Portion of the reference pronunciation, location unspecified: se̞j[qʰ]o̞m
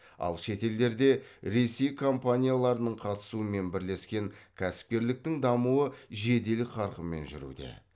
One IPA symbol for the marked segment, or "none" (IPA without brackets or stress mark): kʰ